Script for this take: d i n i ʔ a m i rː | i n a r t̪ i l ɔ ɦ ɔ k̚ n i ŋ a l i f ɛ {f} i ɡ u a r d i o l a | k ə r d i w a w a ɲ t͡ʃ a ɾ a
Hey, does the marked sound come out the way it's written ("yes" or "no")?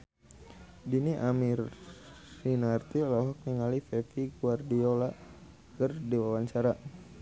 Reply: yes